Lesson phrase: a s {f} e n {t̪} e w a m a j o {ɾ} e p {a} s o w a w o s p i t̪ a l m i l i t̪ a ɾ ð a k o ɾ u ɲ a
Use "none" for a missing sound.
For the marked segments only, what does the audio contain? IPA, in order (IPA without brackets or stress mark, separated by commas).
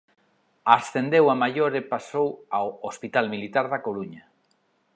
θ, d̪, ɾ, a